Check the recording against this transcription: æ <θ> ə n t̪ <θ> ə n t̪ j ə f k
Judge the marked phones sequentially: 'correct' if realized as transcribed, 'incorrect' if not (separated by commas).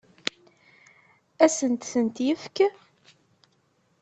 incorrect, correct